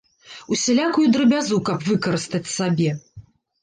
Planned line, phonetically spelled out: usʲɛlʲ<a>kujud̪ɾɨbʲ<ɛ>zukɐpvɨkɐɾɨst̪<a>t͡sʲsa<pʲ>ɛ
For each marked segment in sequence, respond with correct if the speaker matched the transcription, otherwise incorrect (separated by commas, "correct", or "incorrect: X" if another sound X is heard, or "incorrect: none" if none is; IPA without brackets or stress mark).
correct, incorrect: a, incorrect: ɐ, incorrect: bʲ